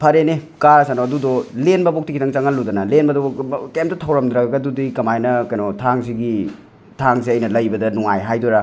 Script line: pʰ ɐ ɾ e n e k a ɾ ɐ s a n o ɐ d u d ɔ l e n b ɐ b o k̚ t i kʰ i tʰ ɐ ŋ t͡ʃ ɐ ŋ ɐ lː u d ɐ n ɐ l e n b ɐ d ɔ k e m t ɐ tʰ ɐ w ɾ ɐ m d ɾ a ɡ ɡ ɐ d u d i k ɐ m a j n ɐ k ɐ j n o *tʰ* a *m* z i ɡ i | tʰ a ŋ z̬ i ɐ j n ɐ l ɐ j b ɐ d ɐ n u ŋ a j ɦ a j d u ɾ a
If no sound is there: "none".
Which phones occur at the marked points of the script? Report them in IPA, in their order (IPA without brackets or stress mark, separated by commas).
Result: tʰ, ŋ